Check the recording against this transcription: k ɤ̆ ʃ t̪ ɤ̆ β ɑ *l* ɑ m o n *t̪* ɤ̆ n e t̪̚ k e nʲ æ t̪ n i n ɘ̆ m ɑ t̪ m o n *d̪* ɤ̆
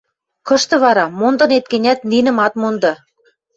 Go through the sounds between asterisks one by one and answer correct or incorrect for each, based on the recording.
incorrect: ɾ, incorrect: d̪, correct

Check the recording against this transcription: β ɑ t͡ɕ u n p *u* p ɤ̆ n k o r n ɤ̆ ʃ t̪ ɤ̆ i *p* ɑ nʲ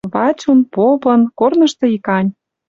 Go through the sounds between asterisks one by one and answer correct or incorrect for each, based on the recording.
incorrect: o, incorrect: k

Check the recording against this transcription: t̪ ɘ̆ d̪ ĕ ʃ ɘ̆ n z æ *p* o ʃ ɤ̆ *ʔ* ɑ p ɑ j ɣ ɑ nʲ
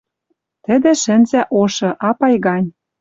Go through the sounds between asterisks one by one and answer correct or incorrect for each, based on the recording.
incorrect: ʔ, correct

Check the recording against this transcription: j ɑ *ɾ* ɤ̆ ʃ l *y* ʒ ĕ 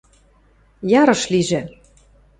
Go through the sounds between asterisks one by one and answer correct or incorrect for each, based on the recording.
correct, incorrect: i

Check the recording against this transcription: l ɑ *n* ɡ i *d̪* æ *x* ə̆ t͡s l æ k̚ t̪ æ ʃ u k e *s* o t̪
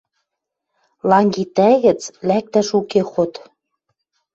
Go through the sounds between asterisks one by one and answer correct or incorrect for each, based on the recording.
incorrect: ŋ, incorrect: t̪, incorrect: ɣ, incorrect: x

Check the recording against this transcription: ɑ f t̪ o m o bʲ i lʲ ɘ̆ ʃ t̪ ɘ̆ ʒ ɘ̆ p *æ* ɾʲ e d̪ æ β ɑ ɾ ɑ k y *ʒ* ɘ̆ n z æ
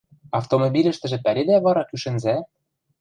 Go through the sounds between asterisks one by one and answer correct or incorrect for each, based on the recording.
correct, incorrect: ʃ

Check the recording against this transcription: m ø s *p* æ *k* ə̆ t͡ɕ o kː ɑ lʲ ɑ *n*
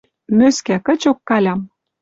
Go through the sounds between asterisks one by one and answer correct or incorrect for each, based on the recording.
incorrect: k, correct, incorrect: m

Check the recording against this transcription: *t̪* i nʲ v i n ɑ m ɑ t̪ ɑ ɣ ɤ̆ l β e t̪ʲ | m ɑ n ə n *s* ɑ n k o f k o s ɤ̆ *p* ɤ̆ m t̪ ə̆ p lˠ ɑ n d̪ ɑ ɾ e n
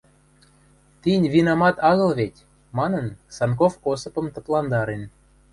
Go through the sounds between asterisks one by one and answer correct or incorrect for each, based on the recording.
correct, correct, correct

